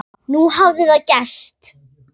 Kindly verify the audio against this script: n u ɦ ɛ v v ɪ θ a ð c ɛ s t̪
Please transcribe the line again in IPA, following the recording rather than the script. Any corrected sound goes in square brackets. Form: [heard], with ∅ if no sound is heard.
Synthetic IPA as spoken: n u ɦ [a] v [ð] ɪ [ð] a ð c ɛ s t̪